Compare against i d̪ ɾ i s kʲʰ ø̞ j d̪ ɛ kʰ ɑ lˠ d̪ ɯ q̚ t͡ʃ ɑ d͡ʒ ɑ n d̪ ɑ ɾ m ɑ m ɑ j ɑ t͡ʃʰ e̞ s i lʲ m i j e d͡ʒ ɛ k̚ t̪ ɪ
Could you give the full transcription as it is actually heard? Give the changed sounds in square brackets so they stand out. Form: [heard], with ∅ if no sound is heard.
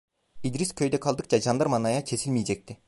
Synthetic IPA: i d̪ ɾ i s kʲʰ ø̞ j d̪ ɛ kʰ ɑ lˠ d̪ ɯ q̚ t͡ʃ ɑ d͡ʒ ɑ n d̪ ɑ ɾ m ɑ [n] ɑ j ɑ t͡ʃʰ e̞ s i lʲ m i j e d͡ʒ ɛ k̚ t̪ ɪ